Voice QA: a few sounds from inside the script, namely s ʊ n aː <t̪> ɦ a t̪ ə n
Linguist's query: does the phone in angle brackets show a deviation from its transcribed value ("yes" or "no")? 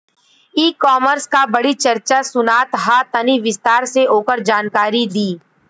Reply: no